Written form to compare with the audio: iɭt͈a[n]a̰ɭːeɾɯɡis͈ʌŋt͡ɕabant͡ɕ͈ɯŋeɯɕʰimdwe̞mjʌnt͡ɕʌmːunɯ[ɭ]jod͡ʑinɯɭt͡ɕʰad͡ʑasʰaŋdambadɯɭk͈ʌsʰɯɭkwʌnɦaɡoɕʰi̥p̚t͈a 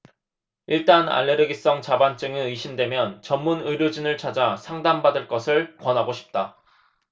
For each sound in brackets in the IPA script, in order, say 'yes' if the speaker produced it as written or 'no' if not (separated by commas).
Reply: yes, no